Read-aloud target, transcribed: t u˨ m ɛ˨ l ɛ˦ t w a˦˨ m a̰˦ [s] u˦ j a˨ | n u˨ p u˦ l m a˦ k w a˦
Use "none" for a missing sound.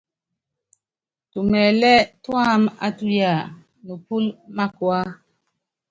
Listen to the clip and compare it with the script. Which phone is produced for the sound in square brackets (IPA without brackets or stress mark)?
t